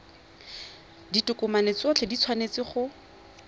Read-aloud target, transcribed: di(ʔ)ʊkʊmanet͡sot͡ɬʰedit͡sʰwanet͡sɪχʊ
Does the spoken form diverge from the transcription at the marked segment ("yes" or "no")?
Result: yes